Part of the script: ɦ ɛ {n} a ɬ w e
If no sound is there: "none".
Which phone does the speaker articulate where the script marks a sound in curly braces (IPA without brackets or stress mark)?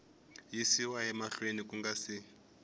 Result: m